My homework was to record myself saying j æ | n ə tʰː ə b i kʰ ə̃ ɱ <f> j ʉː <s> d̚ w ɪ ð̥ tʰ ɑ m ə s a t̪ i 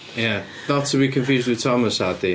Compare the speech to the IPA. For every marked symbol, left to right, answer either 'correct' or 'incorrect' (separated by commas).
correct, incorrect